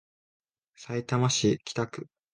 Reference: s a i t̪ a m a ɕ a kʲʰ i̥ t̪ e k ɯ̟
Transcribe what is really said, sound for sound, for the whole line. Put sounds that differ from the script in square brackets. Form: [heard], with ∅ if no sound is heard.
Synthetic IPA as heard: s a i t̪ a m a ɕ [i] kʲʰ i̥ t̪ [a] k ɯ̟